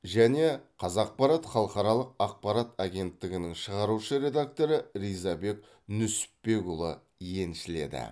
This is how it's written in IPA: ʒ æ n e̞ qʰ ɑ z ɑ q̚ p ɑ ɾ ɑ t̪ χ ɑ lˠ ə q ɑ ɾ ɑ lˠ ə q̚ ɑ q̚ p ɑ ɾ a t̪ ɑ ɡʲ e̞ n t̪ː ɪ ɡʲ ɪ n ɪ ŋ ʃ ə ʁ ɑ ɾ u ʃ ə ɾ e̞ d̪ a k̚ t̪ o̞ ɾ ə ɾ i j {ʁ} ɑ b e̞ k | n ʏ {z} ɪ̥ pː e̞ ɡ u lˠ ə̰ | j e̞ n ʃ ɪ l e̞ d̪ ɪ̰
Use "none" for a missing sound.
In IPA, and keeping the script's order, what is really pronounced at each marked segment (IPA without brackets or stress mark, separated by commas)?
z, s